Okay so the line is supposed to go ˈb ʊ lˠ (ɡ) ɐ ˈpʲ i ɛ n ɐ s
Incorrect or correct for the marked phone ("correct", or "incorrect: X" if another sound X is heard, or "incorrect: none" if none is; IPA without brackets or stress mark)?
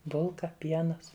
incorrect: k